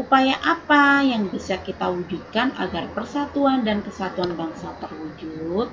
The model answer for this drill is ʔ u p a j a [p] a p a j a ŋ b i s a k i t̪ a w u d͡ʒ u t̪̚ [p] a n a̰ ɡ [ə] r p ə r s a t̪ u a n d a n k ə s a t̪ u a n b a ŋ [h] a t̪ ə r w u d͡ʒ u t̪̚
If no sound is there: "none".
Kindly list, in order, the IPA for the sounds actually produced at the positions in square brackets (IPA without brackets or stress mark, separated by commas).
ʔ, k, a, s